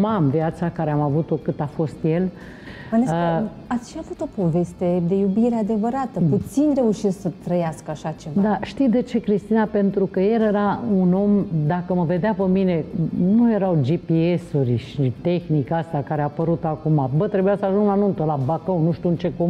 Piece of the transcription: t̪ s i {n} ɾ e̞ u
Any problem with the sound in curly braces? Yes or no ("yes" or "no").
no